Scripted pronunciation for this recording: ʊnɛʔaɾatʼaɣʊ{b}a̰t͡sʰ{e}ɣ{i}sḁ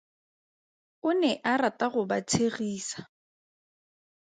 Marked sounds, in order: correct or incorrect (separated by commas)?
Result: correct, correct, incorrect